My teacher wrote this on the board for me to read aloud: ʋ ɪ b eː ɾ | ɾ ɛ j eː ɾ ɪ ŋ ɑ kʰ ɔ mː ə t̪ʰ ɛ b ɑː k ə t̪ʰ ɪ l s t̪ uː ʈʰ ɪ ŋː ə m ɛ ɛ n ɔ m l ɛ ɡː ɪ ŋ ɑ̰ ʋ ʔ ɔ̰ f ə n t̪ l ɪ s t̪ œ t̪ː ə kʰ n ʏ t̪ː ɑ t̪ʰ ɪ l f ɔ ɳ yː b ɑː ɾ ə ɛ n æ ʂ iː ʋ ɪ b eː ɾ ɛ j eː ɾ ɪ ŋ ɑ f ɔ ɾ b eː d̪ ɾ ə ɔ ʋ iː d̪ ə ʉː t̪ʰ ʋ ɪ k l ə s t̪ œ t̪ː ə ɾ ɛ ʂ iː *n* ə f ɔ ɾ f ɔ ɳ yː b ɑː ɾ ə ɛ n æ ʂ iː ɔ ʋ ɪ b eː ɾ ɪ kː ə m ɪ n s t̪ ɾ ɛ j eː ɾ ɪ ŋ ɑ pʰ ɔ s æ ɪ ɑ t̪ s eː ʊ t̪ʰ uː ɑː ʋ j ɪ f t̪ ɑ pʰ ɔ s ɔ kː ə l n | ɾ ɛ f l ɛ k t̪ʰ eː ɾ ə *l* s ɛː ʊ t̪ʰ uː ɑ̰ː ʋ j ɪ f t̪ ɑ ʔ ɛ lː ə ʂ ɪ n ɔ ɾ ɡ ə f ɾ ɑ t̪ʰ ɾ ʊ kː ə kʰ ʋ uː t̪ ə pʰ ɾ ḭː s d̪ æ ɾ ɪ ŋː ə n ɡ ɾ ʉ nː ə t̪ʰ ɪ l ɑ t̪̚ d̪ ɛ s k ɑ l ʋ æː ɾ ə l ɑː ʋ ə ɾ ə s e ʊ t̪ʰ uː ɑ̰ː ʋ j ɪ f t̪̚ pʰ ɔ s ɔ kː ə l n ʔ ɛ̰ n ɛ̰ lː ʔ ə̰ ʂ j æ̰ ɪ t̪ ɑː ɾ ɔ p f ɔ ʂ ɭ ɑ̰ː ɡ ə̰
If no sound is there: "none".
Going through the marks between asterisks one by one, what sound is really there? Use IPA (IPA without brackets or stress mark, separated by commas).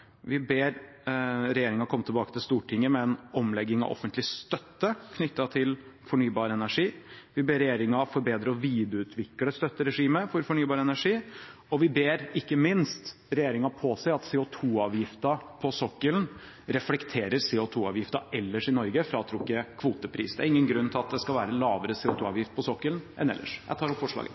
m, ɾ